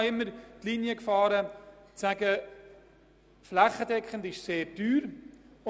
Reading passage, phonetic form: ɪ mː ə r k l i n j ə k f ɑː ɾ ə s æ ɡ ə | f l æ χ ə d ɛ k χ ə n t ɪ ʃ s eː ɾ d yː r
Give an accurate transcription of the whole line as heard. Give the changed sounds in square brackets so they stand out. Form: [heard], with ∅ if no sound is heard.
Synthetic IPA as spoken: ɪ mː ə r [t] l i n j ə k f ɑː ɾ ə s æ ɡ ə | f l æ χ ə d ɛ k χ ə n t ɪ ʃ s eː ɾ d yː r